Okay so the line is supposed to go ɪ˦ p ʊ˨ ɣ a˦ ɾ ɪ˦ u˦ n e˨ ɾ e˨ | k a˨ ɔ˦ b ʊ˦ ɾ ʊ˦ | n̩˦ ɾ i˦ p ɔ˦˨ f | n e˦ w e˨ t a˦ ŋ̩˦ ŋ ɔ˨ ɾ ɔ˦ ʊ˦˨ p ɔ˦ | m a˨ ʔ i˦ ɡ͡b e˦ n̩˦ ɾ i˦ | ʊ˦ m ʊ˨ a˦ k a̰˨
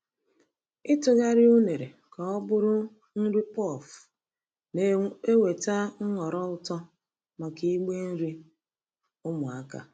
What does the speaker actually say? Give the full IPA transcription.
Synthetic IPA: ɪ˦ t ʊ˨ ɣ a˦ ɾ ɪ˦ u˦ n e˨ ɾ e˨ | k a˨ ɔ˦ b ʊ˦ ɾ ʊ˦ | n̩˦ ɾ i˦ p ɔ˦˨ f | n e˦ w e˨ t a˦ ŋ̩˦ ŋ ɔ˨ ɾ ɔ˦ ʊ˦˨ t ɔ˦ | m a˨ k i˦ ɡ͡b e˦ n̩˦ ɾ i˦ | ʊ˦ m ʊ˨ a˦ k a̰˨